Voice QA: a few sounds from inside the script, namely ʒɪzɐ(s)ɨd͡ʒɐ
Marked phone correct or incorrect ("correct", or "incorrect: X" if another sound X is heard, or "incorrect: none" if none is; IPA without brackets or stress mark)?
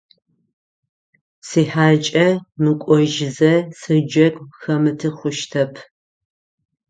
correct